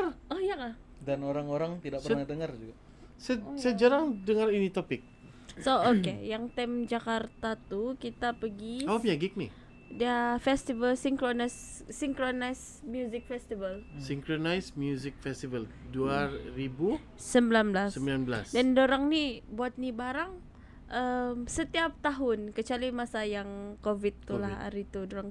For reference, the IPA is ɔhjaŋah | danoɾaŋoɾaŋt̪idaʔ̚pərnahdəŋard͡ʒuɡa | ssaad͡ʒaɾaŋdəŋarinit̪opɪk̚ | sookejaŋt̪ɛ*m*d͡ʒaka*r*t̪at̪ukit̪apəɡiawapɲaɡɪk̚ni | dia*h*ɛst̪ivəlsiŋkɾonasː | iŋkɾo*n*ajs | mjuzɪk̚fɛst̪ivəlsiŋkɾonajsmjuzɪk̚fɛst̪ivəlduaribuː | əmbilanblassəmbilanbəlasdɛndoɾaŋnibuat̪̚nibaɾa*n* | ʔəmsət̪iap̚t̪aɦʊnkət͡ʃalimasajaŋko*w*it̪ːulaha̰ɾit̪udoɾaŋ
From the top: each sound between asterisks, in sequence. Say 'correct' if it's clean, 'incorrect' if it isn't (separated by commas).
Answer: correct, correct, incorrect, correct, incorrect, incorrect